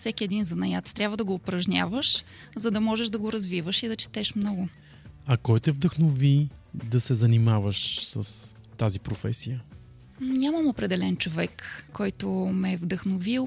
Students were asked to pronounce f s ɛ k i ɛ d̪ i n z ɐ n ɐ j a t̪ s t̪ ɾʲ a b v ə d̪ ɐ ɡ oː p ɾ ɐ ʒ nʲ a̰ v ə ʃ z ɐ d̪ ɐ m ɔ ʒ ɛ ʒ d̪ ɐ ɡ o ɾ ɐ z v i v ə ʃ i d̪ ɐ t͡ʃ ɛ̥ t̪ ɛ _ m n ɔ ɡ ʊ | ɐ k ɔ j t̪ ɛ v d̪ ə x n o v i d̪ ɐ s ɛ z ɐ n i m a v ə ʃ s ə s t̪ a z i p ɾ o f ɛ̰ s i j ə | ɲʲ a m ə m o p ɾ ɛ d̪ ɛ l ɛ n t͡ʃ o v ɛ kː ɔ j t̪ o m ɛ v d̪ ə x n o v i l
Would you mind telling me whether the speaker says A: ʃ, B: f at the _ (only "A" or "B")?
A